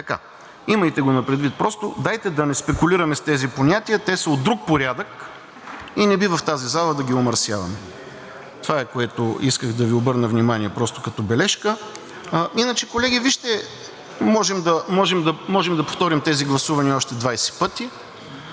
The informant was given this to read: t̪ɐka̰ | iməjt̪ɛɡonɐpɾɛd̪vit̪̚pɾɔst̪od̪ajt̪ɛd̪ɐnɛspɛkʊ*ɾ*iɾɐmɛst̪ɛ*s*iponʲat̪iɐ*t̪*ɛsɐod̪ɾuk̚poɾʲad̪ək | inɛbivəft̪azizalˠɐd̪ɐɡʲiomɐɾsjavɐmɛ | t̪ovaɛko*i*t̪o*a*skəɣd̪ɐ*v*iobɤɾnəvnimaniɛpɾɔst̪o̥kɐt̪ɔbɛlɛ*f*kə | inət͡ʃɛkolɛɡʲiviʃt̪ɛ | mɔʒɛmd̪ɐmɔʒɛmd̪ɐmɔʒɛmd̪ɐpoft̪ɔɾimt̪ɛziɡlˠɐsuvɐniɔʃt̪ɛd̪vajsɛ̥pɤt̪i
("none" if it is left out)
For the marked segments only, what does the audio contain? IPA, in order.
l, z, t̪, ɛ, i, v, ʃ

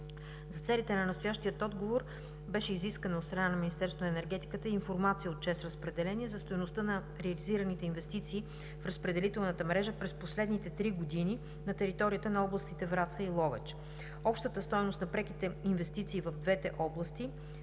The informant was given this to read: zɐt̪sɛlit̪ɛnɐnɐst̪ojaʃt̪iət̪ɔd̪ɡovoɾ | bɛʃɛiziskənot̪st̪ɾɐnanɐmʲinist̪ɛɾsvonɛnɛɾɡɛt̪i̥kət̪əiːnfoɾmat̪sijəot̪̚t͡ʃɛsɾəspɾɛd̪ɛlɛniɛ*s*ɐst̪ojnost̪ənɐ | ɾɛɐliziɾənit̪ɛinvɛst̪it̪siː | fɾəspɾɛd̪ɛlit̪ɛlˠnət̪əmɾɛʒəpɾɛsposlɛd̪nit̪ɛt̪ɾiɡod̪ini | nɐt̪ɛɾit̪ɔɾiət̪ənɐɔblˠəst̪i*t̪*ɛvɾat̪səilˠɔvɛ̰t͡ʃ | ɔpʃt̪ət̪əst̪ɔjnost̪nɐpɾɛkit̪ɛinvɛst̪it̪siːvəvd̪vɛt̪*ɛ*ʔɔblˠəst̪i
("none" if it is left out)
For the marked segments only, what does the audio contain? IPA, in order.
z, t̪, ɛ

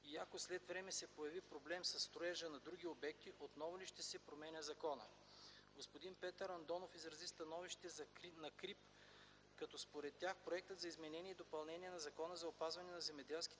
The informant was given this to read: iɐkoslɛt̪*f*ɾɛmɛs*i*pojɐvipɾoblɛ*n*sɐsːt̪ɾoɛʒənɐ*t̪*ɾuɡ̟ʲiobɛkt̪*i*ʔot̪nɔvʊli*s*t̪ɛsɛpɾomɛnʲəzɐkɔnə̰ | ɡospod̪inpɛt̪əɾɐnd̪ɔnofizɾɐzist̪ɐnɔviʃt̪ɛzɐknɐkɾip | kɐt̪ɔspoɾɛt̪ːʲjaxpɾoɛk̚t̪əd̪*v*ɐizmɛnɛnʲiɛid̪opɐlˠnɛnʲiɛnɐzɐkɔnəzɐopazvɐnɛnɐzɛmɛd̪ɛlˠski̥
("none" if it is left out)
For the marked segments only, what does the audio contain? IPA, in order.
v, ɛ, m, d̪, i, ʃ, z

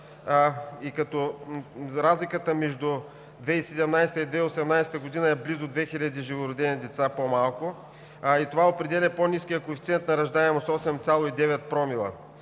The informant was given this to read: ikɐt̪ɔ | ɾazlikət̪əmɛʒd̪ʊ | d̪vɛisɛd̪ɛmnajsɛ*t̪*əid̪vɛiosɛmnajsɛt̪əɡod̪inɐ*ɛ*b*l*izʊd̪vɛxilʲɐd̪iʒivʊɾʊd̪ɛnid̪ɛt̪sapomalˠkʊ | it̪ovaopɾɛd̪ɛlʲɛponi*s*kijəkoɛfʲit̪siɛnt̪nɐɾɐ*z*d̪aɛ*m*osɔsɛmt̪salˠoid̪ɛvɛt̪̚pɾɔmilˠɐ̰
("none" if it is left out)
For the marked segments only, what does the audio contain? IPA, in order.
t̪, ɛ, l, s, ʒ, m

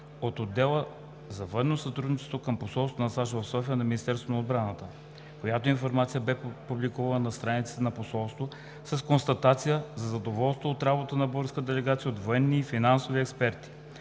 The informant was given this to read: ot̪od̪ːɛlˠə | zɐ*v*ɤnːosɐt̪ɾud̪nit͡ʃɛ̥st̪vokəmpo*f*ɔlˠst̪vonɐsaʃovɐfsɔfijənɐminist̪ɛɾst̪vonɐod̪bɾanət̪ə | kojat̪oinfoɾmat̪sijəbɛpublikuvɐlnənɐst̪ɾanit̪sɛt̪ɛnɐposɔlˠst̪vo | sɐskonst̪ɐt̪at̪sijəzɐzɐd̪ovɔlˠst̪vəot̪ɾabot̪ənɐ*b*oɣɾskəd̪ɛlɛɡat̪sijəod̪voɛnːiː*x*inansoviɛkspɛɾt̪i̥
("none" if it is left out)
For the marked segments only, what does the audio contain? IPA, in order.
v, s, b, f

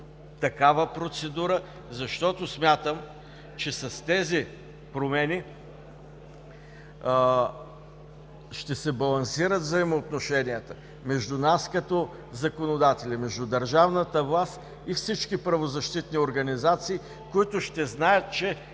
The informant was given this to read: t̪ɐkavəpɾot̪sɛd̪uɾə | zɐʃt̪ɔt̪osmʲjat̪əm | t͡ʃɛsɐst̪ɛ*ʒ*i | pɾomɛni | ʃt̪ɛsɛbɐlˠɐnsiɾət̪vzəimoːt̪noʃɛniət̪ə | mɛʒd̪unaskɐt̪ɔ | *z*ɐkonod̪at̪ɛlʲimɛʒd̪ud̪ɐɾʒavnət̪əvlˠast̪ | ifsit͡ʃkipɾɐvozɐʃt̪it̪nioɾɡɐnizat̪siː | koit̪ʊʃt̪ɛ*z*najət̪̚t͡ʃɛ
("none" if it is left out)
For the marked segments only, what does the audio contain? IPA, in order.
z, z, z

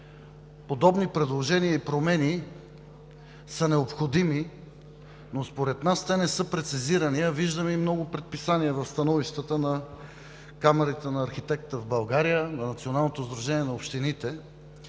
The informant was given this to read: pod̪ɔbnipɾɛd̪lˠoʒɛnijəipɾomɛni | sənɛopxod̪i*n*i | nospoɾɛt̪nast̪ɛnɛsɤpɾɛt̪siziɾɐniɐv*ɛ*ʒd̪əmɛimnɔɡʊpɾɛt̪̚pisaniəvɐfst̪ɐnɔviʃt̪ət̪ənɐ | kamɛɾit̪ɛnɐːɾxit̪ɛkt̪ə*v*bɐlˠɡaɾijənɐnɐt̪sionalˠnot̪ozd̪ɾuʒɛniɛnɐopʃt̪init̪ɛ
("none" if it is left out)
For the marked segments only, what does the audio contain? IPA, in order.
m, i, v

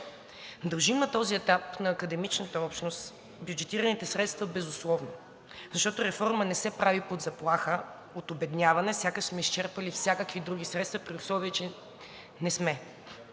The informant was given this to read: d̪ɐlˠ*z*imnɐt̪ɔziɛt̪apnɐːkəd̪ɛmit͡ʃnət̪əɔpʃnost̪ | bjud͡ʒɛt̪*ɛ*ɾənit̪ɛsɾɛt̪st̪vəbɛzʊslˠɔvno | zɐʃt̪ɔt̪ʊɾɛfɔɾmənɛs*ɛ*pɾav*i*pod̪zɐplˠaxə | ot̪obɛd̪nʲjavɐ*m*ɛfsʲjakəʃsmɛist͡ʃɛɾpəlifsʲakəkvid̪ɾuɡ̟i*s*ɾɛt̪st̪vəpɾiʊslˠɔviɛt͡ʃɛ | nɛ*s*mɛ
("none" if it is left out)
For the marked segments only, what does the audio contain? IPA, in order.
ʒ, i, ɛ, i, n, s, s

